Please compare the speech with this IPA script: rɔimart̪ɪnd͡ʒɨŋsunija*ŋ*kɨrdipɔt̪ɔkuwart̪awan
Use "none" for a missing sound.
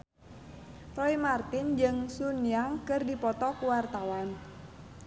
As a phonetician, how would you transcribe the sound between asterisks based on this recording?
ŋ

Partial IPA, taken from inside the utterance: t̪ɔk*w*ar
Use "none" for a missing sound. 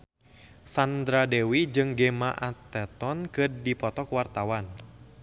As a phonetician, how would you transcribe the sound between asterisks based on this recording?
w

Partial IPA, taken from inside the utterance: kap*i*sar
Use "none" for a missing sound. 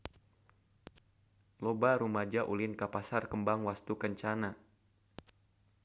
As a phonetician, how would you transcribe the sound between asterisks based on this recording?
a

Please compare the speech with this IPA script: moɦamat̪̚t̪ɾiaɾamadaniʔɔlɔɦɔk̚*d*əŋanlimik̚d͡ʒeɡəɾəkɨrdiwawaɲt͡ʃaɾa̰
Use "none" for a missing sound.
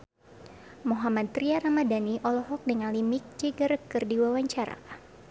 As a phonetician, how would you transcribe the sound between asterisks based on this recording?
d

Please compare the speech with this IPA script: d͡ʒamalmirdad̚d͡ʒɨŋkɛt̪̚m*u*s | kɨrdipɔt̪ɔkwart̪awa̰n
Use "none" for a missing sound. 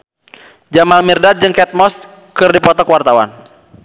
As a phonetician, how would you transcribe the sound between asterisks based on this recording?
ɔ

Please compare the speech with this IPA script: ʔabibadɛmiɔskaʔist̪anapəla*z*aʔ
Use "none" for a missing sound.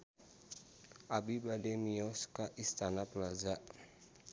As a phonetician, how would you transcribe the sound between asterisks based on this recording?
z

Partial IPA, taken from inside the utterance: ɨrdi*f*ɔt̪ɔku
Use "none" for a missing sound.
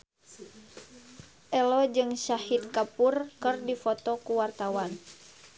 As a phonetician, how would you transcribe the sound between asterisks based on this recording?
f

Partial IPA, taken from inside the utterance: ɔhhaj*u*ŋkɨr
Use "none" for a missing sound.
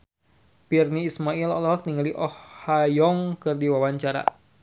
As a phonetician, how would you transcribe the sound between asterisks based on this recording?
ɔ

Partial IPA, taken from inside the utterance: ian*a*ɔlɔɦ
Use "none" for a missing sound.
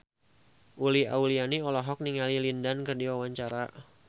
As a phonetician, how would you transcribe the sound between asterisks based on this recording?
i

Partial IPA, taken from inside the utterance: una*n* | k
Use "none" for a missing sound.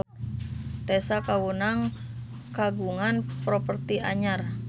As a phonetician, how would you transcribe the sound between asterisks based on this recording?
ŋ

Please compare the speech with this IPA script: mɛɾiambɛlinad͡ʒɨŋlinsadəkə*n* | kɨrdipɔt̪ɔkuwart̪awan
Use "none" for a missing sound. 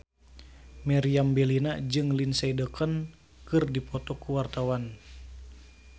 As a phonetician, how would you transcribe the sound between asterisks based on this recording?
n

